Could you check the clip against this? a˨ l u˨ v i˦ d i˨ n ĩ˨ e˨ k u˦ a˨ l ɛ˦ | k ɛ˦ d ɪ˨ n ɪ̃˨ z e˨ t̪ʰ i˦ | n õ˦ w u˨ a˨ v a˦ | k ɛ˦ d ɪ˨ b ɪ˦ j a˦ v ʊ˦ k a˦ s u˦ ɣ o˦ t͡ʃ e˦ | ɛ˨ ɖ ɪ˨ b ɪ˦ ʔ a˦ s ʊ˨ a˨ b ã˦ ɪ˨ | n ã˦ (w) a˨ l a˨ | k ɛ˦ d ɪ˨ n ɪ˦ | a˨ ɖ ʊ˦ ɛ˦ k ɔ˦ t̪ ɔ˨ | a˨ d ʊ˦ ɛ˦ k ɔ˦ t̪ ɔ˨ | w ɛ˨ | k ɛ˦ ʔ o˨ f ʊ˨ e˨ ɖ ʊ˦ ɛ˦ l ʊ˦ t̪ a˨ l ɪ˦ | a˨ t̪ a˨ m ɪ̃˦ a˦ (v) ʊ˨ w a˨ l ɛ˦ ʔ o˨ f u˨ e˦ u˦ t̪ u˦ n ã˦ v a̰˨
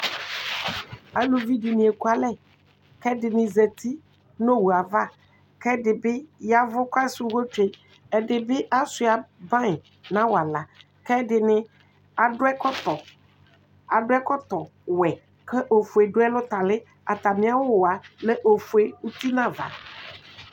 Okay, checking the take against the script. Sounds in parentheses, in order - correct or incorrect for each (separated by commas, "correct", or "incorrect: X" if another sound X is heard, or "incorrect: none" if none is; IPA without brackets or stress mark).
correct, incorrect: w